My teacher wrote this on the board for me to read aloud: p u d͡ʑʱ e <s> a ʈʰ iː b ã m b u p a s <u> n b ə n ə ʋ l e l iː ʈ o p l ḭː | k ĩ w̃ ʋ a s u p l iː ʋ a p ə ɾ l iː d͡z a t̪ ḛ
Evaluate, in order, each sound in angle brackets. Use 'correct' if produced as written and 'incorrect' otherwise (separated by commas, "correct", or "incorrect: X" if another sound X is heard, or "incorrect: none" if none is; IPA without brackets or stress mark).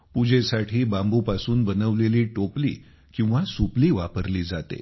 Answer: correct, incorrect: uː